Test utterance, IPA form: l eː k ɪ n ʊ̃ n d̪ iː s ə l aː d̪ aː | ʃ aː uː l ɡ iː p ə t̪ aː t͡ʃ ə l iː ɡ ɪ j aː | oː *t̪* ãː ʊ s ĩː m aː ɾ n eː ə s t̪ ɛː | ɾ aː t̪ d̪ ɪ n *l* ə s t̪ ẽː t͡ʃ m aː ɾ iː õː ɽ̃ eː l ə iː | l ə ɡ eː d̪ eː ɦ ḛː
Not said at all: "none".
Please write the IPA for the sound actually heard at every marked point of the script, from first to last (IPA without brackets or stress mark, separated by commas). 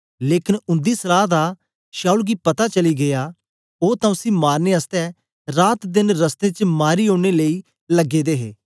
t̪, ɾ